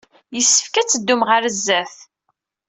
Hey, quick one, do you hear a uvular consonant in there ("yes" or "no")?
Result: yes